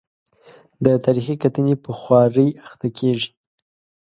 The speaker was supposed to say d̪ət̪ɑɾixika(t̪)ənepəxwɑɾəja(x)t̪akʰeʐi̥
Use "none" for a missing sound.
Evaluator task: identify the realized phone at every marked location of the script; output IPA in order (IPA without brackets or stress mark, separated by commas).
t̪, x